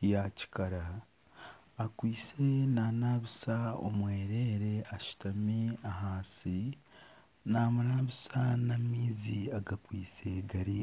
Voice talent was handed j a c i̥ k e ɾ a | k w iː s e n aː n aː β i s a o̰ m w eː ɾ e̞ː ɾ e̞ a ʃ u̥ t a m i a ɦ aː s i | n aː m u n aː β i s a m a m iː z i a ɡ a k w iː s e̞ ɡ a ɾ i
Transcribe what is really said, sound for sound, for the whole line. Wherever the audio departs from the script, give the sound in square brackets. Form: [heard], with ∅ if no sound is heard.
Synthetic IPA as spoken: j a c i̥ k [a] ɾ a | k w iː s e n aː n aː β i s a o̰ m w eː ɾ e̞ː ɾ e̞ a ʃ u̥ t a m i a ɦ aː s i | n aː m u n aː β i s a [n] a m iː z i a ɡ a k w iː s e̞ ɡ a ɾ i